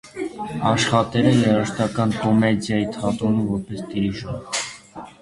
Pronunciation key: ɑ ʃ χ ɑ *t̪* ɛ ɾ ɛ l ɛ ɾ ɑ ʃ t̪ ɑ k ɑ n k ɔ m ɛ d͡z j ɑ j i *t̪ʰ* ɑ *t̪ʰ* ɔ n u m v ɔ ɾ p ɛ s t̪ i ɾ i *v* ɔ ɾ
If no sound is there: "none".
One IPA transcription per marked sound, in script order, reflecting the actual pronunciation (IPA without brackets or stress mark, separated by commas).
t̪, t̪ʰ, t̪, ʒ